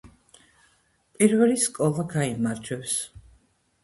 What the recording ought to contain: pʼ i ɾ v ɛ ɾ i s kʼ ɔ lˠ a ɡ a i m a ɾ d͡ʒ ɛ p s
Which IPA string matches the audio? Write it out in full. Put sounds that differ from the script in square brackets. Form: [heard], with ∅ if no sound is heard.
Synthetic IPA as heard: pʼ i ɾ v ɛ [l] i s kʼ ɔ lˠ a ɡ a i m a ɾ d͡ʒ ɛ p s